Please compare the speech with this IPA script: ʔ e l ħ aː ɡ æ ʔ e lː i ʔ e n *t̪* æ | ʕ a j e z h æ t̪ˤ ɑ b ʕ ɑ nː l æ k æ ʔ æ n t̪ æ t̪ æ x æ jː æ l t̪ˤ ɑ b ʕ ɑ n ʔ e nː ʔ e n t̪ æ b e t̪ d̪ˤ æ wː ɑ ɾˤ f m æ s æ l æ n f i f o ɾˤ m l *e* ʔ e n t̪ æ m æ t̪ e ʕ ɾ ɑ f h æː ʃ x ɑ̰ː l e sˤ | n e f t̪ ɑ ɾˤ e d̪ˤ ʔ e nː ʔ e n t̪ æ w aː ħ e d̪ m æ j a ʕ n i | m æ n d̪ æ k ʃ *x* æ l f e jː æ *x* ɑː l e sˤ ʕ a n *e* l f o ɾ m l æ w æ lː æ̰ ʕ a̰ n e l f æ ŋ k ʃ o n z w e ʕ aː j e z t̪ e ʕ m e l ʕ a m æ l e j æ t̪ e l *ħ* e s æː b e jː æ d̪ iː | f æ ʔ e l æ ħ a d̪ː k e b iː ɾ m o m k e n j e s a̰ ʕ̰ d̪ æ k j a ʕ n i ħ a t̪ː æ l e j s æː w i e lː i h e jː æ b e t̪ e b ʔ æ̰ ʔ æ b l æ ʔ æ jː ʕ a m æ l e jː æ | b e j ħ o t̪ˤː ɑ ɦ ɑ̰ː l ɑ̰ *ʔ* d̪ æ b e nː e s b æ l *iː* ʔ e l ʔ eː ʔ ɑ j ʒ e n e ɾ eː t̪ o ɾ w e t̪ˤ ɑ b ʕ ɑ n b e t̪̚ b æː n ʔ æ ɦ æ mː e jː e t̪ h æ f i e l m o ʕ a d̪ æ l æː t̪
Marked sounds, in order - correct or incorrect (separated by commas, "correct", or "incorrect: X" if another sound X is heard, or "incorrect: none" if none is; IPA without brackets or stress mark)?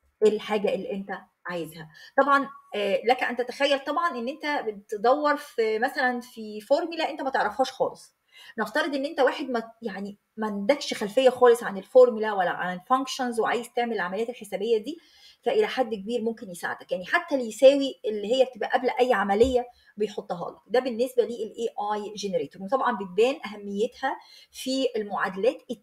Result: correct, incorrect: æ, correct, correct, correct, correct, incorrect: k, correct